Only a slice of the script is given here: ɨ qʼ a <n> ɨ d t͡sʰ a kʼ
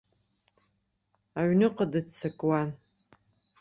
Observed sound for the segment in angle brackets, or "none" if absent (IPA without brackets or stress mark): d